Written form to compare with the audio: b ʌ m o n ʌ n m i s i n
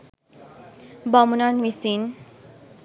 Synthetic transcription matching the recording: b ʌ m u n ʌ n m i s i n